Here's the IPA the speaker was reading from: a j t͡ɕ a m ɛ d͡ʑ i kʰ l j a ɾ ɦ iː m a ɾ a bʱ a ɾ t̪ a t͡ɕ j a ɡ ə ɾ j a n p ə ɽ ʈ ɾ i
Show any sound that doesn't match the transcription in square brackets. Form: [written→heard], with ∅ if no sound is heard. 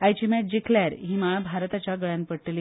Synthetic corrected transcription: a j t͡ɕ [a→i] m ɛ d͡ʑ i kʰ l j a ɾ ɦ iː m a [ɾ→ɭ] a bʱ a ɾ t̪ a t͡ɕ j a ɡ ə [ɾ→ɭ] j a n p ə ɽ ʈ [ɾ→l] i